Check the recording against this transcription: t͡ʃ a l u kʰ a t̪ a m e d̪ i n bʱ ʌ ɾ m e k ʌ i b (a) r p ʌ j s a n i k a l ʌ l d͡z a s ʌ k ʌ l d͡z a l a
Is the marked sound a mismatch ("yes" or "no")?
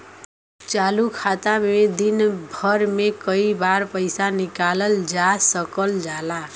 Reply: no